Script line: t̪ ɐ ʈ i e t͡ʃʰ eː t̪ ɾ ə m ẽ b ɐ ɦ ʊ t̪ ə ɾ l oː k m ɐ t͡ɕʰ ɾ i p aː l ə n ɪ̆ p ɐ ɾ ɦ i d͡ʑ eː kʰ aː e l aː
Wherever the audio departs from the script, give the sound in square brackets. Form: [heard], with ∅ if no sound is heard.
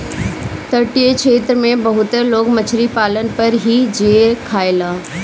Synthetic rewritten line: t̪ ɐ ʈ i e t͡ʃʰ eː t̪ ɾ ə m ẽ b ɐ ɦ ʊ t̪ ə ɾ l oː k m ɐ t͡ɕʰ ɾ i p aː l ə n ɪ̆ p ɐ ɾ ɦ i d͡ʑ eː kʰ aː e l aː